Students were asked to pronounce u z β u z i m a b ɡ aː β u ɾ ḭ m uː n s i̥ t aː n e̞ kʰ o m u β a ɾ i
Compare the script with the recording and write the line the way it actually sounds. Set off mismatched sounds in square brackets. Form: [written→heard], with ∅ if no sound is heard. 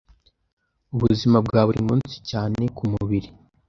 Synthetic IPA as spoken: u [z→∅] β u z i m a b ɡ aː β u ɾ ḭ m uː n s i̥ [t→c] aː n e̞ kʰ [o→u] m u β [a→i] ɾ i